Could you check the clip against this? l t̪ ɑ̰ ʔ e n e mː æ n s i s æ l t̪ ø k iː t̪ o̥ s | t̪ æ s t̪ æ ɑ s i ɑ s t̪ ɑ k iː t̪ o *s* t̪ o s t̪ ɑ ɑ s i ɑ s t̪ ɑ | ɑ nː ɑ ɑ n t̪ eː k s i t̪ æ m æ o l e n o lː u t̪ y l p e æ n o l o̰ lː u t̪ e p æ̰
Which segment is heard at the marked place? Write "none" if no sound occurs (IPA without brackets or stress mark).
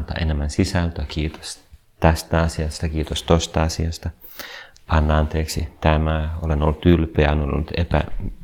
s